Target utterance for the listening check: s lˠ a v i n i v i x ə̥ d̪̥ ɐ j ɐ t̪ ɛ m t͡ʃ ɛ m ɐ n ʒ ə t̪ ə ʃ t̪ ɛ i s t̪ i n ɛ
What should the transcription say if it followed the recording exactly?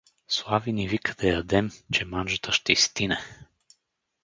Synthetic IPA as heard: s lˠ a v i n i v i k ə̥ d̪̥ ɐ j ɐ d̪ ɛ m t͡ʃ ɛ m a n ʒ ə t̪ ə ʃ t̪ ɛ i s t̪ i n ɛ